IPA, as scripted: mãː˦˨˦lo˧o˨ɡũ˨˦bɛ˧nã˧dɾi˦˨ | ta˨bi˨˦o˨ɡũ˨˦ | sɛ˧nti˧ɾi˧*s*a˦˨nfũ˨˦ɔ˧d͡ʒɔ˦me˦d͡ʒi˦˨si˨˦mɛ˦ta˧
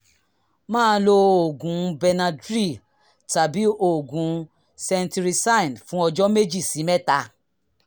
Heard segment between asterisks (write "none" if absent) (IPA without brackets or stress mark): s